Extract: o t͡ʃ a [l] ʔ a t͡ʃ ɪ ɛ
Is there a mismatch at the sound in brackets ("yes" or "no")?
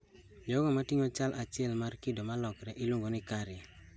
no